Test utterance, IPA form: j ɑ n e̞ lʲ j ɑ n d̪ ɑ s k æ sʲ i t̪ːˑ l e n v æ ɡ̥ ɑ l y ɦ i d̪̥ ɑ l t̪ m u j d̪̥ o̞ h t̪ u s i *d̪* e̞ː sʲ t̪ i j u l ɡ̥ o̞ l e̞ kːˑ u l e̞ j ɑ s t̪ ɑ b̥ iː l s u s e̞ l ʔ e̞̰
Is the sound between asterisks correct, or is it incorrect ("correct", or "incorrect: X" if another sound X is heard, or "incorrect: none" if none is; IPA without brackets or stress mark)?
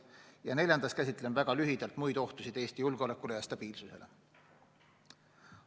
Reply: correct